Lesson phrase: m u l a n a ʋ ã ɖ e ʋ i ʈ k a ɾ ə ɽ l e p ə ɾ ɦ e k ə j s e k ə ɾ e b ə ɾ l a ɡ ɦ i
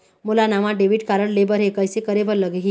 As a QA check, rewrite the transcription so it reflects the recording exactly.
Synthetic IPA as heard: m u l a n a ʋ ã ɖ e ʋ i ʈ k a ɾ ə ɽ l e b ə ɾ ɦ e k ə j s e k ə ɾ e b ə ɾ l ə ɡ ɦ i